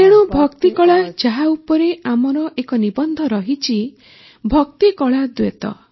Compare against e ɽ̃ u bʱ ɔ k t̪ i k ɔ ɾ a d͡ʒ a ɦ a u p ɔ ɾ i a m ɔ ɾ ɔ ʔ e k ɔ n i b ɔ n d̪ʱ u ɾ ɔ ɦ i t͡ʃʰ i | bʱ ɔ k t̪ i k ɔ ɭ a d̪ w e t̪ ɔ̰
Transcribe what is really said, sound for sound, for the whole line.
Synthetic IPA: e ɽ̃ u bʱ ɔ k t̪ i k ɔ ɭ a d͡ʒ a ɦ a u p ɔ ɾ e a m ɔ ɾ ɔ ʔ e k ɔ n i b ɔ n d̪ʱ ɔ ɾ ɔ ɦ i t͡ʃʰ i | bʱ ɔ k t̪ i k ɔ ɭ a d̪ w e t̪ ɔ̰